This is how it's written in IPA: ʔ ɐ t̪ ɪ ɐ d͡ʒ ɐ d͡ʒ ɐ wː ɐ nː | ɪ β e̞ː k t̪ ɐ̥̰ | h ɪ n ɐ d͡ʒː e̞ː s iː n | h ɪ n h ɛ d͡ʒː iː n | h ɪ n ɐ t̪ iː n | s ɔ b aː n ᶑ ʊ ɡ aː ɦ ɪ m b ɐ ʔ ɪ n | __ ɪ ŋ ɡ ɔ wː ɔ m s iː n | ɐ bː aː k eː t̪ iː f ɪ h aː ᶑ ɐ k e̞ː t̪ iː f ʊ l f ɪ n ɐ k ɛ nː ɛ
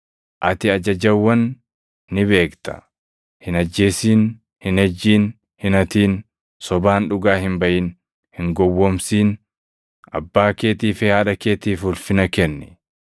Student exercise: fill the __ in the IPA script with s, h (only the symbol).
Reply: h